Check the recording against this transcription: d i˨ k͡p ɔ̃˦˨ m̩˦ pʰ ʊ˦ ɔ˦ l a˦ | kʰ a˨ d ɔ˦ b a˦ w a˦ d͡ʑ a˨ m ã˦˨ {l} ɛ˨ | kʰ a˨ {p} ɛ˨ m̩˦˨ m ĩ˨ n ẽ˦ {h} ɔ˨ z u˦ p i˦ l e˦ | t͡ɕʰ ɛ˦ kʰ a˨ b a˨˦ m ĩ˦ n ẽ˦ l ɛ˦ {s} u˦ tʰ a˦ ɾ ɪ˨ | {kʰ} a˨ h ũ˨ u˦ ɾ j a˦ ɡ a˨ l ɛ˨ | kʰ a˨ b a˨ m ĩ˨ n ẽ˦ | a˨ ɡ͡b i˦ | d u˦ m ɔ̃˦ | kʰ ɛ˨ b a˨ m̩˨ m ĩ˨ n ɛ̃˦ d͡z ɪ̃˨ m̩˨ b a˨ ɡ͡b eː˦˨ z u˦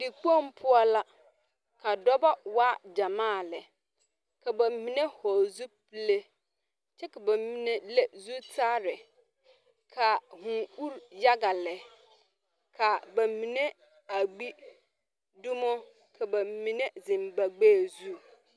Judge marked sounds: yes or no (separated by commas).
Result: yes, no, yes, no, yes